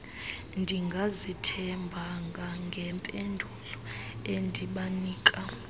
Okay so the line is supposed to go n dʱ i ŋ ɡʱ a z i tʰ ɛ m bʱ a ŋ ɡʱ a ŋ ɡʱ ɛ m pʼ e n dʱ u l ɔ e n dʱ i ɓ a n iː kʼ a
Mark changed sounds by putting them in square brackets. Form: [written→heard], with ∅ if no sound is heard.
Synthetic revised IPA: n dʱ i ŋ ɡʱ a z i tʰ ɛ m bʱ a ŋ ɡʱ a ŋ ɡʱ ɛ m pʼ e n dʱ u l ɔ e n dʱ i ɓ a n iː kʼ a